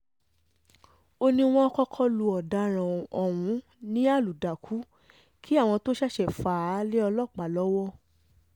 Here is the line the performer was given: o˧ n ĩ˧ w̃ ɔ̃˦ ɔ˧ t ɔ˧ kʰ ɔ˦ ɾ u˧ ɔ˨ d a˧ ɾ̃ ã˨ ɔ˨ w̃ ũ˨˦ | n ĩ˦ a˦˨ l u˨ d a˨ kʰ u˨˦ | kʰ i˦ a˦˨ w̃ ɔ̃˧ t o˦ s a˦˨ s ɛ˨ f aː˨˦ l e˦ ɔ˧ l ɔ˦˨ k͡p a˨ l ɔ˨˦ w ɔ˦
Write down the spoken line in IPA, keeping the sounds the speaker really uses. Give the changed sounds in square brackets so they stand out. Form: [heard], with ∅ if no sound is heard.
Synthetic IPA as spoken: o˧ n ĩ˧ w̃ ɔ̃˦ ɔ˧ [k] ɔ˧ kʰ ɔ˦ [l] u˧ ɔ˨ d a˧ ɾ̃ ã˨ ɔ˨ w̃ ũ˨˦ | n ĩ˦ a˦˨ l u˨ d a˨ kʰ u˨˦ | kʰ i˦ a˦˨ w̃ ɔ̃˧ t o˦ [ʃ] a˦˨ [ʃ] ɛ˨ f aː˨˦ l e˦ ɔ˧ l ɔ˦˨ k͡p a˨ l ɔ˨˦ w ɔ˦

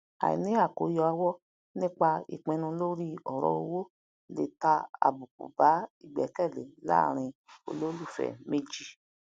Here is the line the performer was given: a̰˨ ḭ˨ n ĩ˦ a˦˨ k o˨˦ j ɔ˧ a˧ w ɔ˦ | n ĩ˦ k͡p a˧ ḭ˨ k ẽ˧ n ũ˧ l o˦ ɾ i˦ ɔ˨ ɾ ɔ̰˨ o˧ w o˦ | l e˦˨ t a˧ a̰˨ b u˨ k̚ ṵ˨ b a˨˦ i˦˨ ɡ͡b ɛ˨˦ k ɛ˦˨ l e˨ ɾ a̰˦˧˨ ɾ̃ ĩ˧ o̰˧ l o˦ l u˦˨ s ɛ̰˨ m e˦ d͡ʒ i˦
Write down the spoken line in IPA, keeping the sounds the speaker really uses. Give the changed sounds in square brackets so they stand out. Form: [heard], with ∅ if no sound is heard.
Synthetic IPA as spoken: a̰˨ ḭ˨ n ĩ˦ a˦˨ k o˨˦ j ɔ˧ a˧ w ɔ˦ | n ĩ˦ k͡p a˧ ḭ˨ [k͡p] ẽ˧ n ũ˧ l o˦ ɾ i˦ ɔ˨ ɾ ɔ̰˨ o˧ w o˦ | l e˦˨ t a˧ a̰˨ b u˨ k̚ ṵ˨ b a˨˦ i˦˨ ɡ͡b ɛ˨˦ k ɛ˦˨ l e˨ [l] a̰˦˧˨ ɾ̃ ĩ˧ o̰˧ l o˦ l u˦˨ [f] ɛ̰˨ m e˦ d͡ʒ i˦

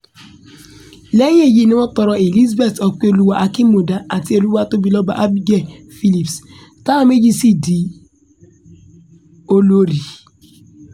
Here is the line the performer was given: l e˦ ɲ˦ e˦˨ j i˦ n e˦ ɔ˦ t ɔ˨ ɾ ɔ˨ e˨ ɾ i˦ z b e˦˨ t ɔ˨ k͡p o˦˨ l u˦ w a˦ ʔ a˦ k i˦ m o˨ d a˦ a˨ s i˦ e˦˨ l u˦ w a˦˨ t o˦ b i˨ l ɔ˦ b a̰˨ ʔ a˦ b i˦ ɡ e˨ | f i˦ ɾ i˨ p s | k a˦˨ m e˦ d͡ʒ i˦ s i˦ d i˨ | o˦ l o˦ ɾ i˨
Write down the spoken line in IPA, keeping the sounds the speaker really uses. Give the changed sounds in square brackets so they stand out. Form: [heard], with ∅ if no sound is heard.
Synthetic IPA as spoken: l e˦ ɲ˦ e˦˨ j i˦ n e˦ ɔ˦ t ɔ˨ ɾ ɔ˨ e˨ [l] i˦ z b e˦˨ t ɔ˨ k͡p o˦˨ l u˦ w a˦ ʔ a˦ k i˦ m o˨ d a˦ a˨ [t] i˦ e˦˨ l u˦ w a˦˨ t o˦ b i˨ l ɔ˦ b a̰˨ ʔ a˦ b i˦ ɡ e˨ | f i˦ [l] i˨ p s | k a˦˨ m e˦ d͡ʒ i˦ s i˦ d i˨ | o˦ l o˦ ɾ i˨

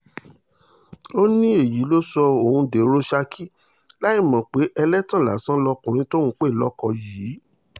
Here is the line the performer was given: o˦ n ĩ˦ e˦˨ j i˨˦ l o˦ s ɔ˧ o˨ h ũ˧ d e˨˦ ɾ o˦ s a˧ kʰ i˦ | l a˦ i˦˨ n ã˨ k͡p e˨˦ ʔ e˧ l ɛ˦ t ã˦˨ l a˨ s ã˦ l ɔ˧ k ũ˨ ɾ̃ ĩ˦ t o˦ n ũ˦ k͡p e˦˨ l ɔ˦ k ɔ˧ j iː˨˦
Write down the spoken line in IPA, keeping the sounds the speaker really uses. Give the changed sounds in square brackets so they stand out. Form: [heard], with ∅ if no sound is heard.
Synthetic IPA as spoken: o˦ n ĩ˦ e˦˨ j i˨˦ l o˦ s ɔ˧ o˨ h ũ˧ d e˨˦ ɾ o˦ [ʃ] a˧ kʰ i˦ | l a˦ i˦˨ [m] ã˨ k͡p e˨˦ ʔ [ɛ˧] l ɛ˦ t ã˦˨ l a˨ s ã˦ l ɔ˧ k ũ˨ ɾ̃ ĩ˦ t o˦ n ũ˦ k͡p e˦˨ l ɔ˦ k ɔ˧ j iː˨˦

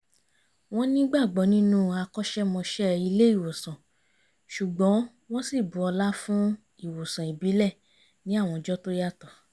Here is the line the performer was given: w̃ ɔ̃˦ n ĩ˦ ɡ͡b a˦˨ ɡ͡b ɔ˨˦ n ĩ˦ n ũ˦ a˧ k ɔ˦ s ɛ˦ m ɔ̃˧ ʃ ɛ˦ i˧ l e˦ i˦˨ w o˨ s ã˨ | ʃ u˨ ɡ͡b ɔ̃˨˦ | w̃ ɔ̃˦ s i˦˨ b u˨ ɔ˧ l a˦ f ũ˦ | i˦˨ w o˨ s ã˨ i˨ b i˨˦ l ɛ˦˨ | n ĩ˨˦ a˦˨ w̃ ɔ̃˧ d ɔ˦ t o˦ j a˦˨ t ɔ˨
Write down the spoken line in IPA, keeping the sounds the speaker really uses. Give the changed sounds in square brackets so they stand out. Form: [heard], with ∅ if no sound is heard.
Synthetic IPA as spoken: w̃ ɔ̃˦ n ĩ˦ ɡ͡b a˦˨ ɡ͡b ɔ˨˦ n ĩ˦ n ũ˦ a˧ k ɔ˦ [ʃ] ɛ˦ m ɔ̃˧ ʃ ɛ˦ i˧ l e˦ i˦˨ w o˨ s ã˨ | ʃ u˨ ɡ͡b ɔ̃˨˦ | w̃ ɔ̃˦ s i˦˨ b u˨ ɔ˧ l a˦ f ũ˦ | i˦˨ w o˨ s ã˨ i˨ b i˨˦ l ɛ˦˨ | n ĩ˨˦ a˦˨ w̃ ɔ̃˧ [d͡ʒ] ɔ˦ t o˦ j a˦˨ t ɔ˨

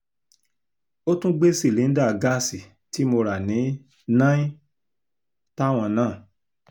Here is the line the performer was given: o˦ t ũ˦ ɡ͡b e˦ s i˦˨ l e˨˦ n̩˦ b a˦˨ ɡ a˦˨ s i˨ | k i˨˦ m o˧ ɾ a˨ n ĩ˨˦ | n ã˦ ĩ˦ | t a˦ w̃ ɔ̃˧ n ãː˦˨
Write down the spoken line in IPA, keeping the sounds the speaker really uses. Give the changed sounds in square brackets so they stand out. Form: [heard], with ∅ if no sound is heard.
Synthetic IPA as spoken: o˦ t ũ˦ ɡ͡b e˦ s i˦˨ l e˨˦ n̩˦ [d] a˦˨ ɡ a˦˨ s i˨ | [t] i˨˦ m o˧ ɾ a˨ n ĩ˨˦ | n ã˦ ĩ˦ | t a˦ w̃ ɔ̃˧ n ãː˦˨

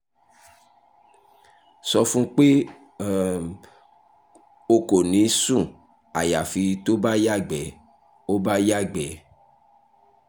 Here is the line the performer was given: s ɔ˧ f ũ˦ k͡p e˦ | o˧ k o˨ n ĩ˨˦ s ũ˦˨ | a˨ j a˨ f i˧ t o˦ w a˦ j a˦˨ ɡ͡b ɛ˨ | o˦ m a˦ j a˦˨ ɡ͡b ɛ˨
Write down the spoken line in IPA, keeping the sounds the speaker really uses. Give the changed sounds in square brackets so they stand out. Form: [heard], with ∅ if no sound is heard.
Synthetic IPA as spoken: s ɔ˧ f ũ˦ k͡p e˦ | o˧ k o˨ n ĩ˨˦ s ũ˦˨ | a˨ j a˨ f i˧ t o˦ [b] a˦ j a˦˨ ɡ͡b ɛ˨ | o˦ [b] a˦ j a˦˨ ɡ͡b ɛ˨

